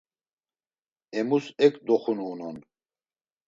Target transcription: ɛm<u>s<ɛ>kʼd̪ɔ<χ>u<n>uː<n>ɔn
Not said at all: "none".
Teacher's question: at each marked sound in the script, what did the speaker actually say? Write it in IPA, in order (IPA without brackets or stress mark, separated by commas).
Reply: u, ɛ, χ, n, n